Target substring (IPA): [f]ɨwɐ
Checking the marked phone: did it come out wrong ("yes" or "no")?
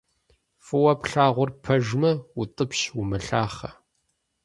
no